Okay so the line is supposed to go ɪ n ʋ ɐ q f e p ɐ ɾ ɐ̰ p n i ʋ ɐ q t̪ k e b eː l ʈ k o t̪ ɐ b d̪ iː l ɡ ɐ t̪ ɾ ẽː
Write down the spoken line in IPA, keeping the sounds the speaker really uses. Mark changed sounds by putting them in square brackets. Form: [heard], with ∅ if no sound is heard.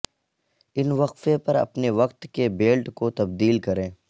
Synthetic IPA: ɪ n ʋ ɐ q f e p ɐ ɾ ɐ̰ p n [e] ʋ ɐ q t̪ k e b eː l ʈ k o t̪ ɐ b d̪ iː l [k] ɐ [∅] ɾ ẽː